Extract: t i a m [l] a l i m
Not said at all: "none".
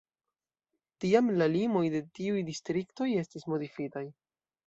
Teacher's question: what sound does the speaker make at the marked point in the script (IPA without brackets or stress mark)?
l